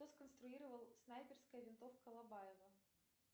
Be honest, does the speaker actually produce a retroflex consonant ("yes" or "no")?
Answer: no